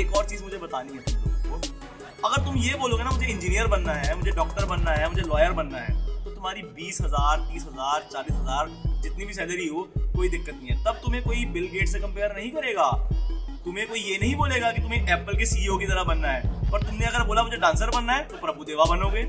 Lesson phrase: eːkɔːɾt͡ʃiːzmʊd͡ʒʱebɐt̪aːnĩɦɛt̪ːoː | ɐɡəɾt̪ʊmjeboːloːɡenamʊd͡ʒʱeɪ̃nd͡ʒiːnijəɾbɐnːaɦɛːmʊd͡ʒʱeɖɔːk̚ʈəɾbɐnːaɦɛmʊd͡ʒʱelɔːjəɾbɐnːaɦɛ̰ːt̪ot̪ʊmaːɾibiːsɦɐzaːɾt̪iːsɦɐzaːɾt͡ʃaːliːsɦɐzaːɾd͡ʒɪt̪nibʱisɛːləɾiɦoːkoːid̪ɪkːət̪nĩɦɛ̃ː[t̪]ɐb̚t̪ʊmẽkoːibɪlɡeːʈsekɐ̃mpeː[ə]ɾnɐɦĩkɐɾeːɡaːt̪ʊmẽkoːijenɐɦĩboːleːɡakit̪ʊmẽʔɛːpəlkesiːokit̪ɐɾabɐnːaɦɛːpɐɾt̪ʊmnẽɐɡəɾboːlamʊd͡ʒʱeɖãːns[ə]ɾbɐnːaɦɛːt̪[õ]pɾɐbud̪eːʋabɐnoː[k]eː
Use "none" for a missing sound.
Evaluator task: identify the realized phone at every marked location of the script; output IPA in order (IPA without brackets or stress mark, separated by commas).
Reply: t̪, ə, ə, o, ɡ